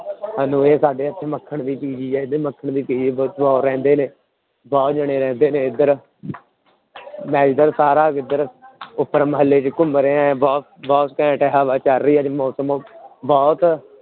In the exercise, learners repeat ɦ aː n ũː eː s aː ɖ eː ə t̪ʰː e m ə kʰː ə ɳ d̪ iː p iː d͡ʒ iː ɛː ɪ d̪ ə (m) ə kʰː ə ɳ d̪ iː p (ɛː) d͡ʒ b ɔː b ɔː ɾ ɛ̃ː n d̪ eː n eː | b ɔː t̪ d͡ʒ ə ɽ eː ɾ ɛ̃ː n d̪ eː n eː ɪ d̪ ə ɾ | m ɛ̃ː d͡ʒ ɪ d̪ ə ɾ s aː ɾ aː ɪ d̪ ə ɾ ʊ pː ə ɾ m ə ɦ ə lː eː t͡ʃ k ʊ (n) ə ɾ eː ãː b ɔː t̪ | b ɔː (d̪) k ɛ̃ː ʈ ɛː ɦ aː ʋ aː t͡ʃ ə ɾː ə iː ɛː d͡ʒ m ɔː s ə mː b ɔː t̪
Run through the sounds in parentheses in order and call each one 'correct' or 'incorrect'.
correct, incorrect: iː, incorrect: m, incorrect: t̪

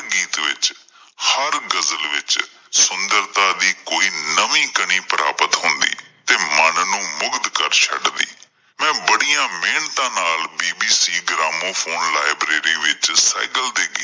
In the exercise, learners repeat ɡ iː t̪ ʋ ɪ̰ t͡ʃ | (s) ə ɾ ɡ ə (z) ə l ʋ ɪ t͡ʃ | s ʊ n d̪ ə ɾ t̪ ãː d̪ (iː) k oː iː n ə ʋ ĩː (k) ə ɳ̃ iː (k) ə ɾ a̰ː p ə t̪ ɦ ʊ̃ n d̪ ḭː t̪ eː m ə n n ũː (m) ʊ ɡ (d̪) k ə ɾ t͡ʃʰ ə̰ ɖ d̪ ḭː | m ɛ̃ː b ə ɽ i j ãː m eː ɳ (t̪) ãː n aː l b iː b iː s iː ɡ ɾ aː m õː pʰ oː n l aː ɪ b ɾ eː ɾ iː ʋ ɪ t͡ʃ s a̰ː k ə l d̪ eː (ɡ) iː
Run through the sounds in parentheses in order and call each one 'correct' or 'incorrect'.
incorrect: h, correct, correct, correct, incorrect: p, correct, correct, correct, correct

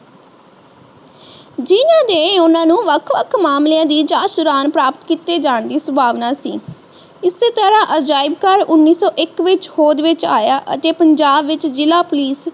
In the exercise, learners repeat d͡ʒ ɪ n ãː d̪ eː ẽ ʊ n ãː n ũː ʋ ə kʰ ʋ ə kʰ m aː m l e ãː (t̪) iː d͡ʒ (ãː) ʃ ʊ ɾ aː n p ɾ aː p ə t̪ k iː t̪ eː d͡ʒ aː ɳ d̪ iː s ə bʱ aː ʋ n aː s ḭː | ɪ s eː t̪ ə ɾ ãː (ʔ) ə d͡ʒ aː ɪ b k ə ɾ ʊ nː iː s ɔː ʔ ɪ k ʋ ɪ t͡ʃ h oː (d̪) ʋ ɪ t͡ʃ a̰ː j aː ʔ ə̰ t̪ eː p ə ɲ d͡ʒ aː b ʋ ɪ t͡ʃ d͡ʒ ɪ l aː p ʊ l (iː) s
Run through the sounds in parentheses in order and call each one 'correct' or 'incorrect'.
incorrect: d̪, incorrect: aː, correct, correct, correct

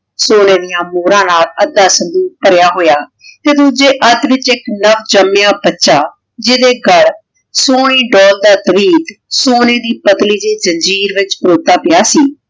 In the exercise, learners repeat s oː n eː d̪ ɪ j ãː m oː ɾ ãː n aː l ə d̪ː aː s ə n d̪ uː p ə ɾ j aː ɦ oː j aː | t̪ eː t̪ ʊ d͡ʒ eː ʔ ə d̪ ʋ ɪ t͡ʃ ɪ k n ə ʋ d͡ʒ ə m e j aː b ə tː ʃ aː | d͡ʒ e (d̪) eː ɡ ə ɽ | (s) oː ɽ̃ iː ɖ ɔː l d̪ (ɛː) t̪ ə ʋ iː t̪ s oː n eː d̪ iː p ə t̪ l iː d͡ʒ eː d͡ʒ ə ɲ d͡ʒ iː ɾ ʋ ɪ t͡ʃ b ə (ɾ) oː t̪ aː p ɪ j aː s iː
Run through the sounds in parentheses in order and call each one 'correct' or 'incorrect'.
correct, correct, incorrect: aː, correct

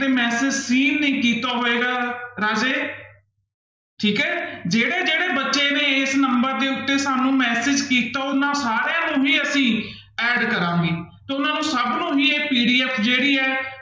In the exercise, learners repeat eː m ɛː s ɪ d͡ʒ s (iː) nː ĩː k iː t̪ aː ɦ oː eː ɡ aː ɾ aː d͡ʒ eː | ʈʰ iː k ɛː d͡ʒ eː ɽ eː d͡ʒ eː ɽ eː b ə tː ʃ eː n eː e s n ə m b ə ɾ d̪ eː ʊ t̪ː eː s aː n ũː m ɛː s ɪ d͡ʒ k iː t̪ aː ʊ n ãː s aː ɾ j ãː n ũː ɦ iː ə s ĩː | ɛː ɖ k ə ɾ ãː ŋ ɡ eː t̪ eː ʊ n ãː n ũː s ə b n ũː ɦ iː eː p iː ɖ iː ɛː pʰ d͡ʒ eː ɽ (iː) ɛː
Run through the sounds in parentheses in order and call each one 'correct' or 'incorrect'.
correct, correct

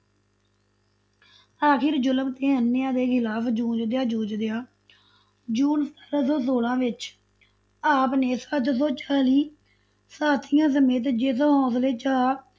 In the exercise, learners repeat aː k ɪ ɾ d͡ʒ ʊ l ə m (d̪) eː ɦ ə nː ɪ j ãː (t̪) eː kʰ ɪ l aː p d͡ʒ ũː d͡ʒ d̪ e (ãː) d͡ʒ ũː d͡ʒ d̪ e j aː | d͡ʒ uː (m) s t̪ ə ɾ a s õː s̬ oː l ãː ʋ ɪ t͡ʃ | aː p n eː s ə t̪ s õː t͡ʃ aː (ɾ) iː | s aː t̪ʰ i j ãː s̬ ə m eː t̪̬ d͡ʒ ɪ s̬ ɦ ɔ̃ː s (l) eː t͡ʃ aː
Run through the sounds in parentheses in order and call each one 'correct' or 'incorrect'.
incorrect: t̪, incorrect: d̪, incorrect: aː, incorrect: n, incorrect: l, correct

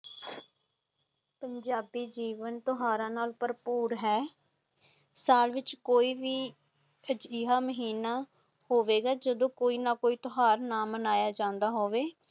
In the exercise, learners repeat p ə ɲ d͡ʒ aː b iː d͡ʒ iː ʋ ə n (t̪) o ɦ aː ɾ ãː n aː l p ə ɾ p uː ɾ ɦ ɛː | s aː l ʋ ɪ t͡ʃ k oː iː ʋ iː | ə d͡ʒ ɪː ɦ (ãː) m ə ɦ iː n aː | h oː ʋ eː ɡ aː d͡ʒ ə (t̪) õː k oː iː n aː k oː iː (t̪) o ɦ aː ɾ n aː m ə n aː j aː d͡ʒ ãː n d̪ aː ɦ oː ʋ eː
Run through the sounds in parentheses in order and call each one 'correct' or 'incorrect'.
correct, incorrect: aː, incorrect: d̪, correct

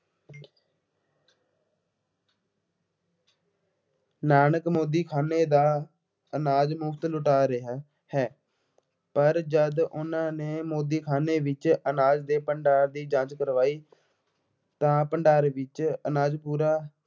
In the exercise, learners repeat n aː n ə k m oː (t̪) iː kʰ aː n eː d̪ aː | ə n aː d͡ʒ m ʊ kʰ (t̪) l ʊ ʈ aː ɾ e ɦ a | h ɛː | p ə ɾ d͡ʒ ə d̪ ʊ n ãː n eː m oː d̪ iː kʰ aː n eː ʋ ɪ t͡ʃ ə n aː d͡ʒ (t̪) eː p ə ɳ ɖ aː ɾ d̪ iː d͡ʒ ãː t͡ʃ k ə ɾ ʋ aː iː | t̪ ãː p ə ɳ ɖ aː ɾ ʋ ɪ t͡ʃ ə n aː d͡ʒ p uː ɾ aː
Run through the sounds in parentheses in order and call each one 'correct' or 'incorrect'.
incorrect: d̪, correct, incorrect: d̪

